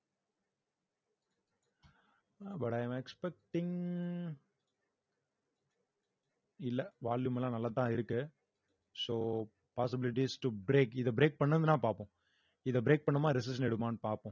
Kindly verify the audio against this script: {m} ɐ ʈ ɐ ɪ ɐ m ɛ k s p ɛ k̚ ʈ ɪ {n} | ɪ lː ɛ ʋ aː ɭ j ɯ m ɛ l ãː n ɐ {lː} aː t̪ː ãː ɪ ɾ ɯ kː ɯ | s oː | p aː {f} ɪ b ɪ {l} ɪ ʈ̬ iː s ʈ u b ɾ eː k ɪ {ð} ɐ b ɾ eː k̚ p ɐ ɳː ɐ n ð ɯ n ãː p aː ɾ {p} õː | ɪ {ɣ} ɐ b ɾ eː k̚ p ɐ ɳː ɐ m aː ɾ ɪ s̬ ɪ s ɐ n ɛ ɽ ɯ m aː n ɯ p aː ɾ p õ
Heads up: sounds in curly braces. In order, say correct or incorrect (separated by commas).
incorrect, incorrect, correct, incorrect, correct, correct, correct, incorrect